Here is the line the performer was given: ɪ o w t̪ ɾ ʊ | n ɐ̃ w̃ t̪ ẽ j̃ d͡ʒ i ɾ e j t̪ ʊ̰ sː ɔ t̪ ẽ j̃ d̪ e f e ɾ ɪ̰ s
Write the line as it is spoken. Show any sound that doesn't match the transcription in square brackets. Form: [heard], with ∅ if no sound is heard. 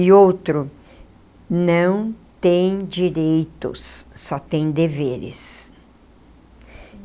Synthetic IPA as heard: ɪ o w t̪ ɾ ʊ | n ɐ̃ w̃ t̪ ẽ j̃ d͡ʒ i ɾ e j t̪ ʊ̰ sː ɔ t̪ ẽ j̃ d̪ e [v] e ɾ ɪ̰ s